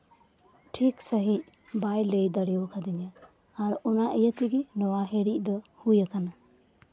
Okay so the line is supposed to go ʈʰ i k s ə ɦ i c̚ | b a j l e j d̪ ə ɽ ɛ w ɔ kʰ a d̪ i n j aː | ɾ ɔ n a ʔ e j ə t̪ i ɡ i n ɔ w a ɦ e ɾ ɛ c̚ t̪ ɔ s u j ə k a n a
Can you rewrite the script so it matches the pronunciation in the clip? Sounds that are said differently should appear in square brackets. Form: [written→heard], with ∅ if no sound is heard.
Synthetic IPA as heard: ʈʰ i k s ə ɦ i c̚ | b a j l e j d̪ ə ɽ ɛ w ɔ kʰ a d̪ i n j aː | ɾ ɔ n a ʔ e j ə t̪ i ɡ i n ɔ w a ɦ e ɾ [ɛ→i] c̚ [t̪→d̪] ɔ [s→h] u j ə k a n a